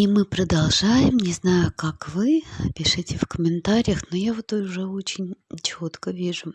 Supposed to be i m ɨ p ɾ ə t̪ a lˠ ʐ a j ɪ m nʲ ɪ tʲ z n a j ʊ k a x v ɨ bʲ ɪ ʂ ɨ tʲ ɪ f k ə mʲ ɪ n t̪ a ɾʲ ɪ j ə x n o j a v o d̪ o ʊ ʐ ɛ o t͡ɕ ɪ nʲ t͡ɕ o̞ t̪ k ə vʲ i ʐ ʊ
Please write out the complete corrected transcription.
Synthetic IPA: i m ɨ p ɾ ə d̪ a lˠ ʐ a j ɪ m nʲ ɪ z n a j ʊ k a k v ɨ pʲ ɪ ʂ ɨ tʲ ɪ f k ə mʲ ɪ n t̪ a ɾʲ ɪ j ə x n o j a v o t̪ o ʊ ʐ ɛ o t͡ɕ ɪ nʲ t͡ɕ o̞ t̪ k ə vʲ i ʐ ʊ